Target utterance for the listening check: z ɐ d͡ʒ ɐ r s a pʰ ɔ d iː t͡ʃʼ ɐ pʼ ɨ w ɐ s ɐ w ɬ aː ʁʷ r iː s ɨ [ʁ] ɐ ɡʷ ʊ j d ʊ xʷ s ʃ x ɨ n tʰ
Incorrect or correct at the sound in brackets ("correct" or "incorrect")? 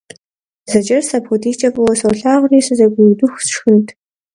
incorrect